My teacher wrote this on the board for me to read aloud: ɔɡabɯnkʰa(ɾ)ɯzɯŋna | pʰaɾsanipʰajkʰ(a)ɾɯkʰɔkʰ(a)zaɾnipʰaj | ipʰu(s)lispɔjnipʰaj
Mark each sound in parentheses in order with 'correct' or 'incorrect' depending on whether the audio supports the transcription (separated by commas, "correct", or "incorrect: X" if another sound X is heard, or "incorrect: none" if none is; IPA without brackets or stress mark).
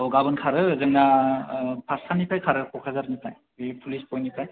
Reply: correct, correct, correct, incorrect: none